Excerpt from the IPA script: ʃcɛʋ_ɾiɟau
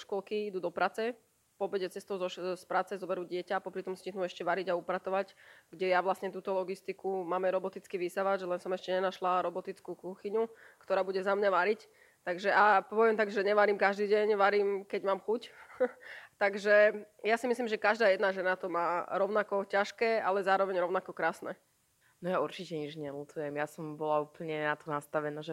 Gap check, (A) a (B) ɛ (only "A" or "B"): A